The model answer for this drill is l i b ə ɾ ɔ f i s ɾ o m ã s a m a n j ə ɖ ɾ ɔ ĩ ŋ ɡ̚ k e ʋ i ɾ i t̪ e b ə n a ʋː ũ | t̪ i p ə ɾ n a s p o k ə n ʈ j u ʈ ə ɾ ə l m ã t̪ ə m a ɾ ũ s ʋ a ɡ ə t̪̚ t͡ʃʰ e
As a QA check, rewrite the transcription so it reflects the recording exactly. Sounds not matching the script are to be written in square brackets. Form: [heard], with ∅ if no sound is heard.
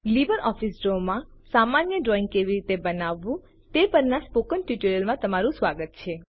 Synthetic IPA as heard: l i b ə ɾ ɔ f i s ɾ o m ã s a m a n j ə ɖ ɾ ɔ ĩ ŋ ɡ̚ k e ʋ i ɾ i t̪ e b ə n a ʋː ũ | t̪ [e] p ə ɾ n a s p o k ə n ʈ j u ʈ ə ɾ ə l m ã t̪ ə m a ɾ ũ s ʋ a ɡ ə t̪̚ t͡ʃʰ e